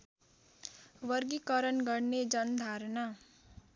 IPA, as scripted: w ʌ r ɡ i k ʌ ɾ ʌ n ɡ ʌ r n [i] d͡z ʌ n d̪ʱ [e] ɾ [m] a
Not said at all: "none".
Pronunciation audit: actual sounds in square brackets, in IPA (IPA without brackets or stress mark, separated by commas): e, a, n